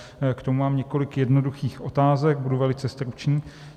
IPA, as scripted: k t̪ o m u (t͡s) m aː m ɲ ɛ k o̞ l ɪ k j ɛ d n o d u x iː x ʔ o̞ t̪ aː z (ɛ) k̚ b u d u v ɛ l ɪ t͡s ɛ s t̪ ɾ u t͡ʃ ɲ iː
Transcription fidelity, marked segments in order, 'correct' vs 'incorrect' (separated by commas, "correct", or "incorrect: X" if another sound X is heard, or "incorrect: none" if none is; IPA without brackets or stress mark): incorrect: none, correct